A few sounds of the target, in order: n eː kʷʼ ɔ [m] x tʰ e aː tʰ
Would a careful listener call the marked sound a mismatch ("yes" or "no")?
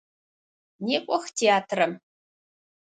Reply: yes